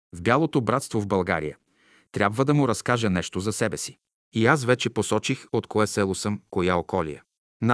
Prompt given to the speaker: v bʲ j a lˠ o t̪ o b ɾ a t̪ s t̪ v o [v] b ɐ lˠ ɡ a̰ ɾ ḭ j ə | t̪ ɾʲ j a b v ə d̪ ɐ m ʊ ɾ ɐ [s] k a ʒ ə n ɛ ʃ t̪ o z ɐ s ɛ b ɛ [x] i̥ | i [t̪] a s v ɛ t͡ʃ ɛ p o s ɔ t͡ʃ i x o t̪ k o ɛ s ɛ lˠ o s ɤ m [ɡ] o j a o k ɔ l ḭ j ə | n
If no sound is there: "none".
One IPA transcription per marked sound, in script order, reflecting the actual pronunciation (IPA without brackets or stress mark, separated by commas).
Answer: v, s, s, none, k